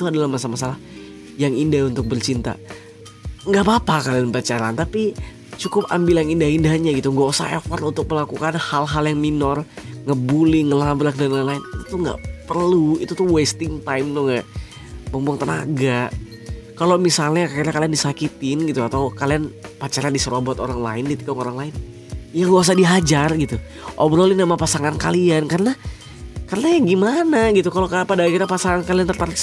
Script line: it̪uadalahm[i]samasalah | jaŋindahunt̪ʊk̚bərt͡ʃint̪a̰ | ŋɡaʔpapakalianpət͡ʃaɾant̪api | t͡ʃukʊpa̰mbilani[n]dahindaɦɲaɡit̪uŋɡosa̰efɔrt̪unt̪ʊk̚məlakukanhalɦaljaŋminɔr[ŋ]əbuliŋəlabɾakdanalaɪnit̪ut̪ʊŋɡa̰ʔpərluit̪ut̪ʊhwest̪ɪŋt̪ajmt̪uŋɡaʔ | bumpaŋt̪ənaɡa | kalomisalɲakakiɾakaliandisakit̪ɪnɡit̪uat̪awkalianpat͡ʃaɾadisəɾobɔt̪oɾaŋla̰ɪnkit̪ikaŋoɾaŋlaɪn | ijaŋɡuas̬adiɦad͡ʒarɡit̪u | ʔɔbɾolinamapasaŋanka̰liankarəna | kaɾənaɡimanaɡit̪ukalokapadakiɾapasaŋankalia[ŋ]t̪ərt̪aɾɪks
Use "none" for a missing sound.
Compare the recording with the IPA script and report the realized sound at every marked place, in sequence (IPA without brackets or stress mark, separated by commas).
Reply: a, n, ŋ, n